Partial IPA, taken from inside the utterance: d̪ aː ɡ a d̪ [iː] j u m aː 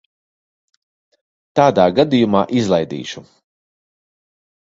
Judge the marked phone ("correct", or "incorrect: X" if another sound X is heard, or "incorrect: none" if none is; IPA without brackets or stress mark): incorrect: i